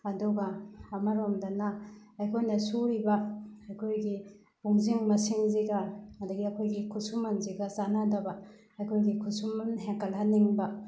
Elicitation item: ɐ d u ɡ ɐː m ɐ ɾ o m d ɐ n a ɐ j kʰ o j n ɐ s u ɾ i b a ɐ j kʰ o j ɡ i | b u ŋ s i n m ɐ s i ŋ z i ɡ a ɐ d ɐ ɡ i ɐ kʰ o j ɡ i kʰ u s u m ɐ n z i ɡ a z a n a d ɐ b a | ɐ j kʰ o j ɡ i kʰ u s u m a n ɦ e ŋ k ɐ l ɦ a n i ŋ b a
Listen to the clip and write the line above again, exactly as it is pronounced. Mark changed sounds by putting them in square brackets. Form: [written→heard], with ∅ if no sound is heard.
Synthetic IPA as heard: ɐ d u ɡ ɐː m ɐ ɾ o m d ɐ n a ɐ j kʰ o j n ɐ s u ɾ i b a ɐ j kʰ o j ɡ i | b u ŋ [s→z] i [n→ŋ] m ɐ s i ŋ z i ɡ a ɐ d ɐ ɡ i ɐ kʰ o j ɡ i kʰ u s u m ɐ n z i ɡ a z a n a d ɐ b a | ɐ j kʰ o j ɡ i kʰ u s u m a n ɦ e ŋ k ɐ l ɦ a n i ŋ b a